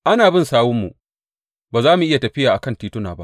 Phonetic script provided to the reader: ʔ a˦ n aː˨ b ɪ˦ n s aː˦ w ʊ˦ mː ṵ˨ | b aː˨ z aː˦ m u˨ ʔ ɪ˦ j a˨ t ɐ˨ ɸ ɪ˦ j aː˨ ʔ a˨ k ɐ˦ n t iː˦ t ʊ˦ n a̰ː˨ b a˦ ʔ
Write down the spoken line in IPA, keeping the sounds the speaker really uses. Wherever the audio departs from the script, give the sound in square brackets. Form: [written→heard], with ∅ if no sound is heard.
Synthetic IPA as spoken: ʔ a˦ n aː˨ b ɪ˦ n s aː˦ w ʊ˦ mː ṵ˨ | b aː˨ z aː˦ m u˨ ʔ ɪ˦ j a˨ t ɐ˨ ɸ ɪ˦ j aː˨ ʔ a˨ k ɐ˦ n t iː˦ t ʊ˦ n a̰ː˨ b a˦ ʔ